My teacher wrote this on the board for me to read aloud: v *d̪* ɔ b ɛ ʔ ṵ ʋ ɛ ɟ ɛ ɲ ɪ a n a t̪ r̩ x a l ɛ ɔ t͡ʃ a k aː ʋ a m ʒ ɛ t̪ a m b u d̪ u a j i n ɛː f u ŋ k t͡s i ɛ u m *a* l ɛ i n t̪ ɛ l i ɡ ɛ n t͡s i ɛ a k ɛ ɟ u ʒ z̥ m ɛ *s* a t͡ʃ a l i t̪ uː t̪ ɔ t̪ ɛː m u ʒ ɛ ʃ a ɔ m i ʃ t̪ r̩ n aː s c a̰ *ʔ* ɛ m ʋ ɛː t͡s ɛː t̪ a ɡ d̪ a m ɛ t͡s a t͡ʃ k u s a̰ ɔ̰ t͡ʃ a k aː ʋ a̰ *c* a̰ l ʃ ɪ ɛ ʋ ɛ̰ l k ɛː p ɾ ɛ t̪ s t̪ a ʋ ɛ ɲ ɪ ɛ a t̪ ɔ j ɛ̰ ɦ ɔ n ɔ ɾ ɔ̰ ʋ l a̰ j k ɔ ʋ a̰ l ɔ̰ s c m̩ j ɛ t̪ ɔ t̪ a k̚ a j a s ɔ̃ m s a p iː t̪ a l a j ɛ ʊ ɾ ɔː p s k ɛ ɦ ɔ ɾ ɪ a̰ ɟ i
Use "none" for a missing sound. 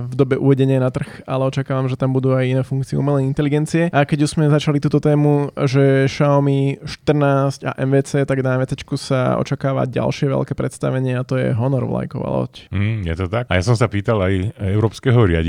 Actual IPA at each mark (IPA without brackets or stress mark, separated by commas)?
d̪, ɛ, z, ʔ, ɟ